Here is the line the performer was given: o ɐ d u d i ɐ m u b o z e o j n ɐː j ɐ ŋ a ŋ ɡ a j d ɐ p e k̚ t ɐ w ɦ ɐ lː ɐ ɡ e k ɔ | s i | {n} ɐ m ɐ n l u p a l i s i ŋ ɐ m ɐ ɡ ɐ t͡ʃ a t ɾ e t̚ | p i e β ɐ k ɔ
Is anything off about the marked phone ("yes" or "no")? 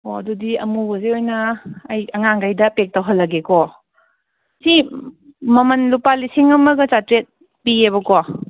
yes